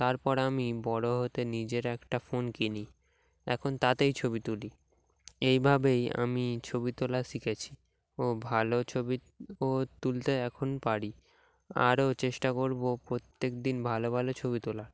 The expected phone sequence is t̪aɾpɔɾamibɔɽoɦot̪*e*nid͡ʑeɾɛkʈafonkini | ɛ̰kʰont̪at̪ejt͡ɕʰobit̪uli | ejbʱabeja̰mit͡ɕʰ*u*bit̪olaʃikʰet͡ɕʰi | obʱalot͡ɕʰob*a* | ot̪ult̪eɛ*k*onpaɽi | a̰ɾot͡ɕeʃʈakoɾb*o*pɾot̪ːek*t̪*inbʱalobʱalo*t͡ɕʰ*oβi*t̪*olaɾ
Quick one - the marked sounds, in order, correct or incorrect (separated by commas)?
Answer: correct, incorrect, incorrect, incorrect, correct, incorrect, correct, correct